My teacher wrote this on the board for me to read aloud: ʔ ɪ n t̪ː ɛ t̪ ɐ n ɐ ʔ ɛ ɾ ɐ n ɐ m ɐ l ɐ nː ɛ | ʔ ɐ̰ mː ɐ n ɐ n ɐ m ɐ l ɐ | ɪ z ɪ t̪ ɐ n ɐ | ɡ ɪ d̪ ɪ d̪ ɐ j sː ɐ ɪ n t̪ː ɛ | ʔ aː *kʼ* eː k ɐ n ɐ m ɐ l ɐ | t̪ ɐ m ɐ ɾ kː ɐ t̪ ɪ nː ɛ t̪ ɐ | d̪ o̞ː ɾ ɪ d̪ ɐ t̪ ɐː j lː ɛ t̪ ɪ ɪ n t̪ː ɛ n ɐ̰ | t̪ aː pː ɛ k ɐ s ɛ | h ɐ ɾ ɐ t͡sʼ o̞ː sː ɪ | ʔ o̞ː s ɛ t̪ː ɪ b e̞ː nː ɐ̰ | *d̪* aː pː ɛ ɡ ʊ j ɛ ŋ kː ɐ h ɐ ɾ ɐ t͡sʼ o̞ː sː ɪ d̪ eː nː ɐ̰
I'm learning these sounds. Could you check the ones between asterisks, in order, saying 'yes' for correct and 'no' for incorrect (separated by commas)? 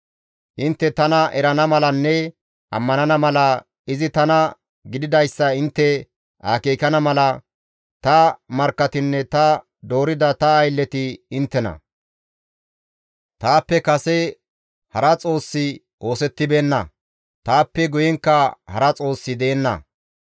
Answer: no, no